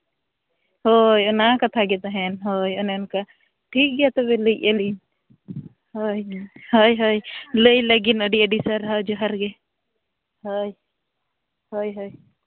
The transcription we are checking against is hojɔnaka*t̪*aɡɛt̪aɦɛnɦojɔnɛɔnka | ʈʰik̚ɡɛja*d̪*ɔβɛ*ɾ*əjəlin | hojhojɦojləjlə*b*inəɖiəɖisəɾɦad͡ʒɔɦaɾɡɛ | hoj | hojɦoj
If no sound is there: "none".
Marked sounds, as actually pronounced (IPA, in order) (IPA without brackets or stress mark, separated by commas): t̪ʰ, t̪, l, ɡ